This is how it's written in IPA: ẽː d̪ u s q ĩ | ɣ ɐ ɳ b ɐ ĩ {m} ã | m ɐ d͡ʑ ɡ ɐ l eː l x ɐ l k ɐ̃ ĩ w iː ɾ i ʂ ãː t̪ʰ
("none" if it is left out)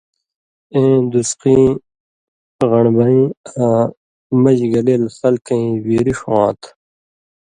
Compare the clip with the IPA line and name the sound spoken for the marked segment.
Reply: none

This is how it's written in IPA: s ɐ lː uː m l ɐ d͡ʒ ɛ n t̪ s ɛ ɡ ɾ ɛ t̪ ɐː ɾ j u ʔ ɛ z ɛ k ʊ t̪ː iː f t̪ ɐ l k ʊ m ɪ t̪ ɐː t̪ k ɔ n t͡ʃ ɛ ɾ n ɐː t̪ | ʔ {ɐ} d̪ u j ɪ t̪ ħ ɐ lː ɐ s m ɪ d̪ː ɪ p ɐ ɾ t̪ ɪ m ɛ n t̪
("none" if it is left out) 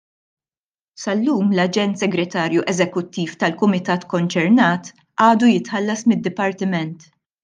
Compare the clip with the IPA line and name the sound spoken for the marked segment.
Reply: ɐː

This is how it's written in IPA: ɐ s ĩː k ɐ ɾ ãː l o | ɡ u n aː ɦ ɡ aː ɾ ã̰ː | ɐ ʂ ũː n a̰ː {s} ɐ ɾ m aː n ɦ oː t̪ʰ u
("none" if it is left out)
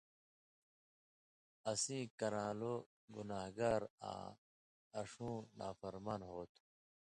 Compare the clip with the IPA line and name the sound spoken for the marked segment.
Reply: f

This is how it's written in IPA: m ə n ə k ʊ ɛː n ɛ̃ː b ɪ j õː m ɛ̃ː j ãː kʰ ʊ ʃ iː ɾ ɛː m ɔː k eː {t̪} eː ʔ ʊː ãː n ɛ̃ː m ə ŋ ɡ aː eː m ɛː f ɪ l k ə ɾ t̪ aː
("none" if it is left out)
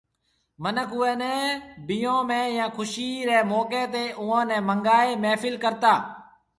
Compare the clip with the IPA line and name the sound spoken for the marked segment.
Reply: t̪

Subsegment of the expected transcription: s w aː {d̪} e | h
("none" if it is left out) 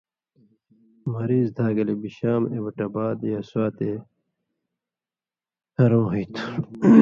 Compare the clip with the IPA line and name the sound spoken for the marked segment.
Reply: t̪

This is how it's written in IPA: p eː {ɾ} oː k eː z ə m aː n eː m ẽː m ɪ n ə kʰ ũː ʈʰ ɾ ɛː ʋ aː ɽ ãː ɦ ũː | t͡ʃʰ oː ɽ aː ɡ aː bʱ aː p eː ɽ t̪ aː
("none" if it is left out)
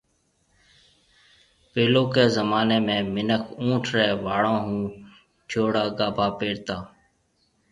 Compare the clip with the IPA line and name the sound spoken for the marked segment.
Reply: l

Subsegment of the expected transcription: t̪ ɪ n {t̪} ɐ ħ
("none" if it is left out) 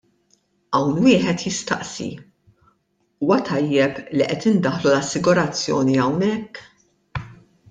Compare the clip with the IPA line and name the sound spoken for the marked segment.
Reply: d̪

